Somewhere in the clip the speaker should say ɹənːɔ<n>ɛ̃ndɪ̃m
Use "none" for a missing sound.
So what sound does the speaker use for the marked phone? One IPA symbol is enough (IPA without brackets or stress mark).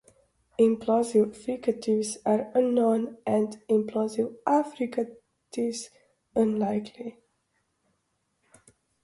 n